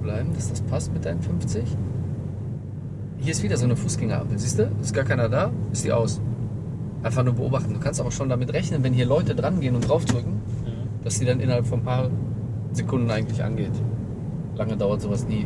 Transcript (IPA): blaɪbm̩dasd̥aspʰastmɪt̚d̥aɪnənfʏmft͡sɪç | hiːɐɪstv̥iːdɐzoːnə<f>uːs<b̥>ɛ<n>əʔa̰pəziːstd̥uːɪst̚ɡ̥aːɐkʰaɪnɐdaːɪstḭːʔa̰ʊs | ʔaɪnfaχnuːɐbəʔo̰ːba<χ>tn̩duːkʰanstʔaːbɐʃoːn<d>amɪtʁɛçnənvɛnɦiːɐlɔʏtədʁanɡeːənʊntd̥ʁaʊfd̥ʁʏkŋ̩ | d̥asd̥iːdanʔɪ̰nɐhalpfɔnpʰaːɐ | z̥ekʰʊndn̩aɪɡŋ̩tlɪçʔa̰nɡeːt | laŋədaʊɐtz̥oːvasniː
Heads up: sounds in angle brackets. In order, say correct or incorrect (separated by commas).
correct, incorrect, incorrect, correct, correct